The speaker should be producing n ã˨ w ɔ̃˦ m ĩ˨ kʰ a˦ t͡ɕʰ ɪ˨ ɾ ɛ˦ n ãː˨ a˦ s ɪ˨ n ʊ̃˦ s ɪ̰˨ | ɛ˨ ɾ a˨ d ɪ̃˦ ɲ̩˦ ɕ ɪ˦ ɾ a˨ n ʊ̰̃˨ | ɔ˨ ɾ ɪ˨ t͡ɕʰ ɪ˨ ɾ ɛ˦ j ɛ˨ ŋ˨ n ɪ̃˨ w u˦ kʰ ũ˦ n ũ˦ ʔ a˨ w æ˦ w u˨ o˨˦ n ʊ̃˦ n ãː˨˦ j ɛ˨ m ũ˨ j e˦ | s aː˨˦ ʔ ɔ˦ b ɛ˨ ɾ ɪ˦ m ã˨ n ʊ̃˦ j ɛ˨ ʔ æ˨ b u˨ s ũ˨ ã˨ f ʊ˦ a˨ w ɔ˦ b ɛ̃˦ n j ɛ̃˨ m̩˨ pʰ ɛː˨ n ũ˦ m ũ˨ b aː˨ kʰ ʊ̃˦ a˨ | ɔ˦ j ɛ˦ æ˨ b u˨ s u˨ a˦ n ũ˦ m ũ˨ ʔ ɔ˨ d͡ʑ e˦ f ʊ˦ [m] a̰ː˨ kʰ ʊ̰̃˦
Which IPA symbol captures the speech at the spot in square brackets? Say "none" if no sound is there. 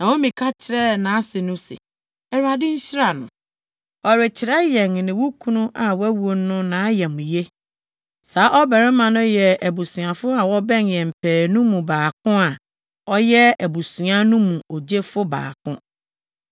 b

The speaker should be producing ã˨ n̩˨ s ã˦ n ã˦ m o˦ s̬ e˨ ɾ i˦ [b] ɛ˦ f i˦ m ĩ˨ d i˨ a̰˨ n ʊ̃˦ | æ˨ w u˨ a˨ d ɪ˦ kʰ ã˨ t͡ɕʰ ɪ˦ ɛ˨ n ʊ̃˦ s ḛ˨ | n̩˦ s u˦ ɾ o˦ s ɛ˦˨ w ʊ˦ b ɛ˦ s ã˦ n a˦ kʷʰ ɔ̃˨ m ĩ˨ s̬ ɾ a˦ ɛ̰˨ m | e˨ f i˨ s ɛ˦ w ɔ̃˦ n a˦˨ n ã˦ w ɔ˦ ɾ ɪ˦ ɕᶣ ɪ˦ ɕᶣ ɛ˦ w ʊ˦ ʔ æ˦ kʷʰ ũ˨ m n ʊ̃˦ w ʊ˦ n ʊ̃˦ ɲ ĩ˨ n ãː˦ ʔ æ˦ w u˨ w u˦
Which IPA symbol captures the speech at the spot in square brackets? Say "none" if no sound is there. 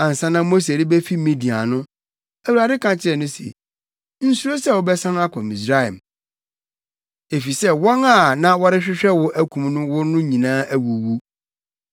b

